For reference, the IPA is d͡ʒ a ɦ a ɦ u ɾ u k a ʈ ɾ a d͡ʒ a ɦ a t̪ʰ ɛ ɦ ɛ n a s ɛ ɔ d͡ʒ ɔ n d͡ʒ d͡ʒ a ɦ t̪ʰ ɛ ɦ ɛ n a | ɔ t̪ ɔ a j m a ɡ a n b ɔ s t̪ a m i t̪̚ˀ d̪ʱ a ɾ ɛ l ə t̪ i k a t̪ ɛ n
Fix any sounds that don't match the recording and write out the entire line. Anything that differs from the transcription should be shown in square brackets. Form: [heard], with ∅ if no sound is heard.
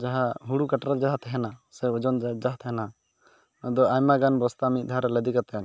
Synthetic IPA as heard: d͡ʒ a ɦ a ɦ u [ɽ] u k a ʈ ɾ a d͡ʒ a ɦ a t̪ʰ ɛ ɦ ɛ n a s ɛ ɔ d͡ʒ ɔ n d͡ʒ d͡ʒ a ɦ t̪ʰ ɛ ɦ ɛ n a | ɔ [d̪] ɔ a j m a ɡ a n b ɔ s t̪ a m i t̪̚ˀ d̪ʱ a ɾ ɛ l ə [d̪] i k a t̪ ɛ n